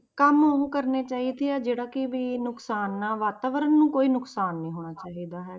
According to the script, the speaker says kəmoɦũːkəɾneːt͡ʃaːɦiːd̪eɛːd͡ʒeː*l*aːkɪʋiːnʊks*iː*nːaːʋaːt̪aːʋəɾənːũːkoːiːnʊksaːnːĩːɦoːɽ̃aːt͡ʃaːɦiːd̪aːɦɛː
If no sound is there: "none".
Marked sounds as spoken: ɽ, aː

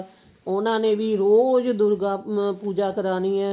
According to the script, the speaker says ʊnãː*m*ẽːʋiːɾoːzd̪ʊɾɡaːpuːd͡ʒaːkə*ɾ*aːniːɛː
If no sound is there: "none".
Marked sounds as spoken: n, ɾ

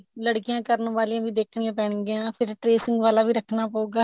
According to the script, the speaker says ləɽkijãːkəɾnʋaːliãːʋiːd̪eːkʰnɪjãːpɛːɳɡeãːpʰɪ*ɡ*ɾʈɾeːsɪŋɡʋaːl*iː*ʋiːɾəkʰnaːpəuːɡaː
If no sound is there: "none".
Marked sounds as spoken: none, aː

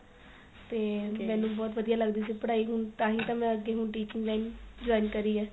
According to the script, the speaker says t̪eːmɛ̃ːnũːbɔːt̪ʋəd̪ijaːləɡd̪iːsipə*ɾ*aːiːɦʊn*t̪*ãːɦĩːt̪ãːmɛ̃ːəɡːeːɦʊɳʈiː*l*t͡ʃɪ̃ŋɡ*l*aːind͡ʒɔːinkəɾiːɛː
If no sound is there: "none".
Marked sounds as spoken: ɽ, t̪, none, l

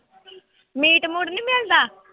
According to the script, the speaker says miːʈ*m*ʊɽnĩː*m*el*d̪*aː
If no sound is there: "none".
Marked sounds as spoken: m, m, d̪

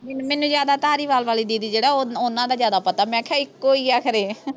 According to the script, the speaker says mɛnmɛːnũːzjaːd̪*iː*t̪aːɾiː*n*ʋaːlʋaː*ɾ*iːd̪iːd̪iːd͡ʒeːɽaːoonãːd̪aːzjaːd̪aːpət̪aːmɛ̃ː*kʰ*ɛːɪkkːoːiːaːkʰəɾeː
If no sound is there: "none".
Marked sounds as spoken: aː, none, l, kʰ

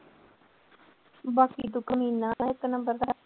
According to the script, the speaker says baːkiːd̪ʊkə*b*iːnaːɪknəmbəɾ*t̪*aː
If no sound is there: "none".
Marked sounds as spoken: m, d̪

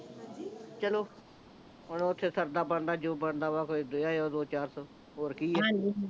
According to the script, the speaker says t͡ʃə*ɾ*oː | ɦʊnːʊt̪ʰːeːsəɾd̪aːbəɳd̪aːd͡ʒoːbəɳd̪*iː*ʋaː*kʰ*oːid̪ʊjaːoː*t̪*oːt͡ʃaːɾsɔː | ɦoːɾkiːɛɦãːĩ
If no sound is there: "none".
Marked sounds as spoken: l, aː, k, d̪

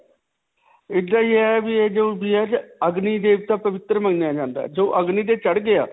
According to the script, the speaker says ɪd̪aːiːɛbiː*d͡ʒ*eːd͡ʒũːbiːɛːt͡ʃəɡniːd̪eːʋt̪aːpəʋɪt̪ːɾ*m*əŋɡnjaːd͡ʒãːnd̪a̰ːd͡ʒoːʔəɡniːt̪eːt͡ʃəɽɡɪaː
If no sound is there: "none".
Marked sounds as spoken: none, m

